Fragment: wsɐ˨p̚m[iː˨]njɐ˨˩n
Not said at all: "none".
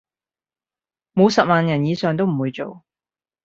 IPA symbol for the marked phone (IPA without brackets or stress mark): aː˨